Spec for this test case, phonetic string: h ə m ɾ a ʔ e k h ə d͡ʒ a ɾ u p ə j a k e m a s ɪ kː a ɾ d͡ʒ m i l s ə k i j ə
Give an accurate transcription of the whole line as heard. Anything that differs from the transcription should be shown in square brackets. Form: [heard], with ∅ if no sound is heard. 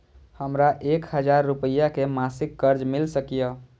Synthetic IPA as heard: h ə m ɾ a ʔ e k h ə d͡ʒ a [ɾː] u p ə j a k e m a s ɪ kː [ə] ɾ d͡ʒ m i l s ə k i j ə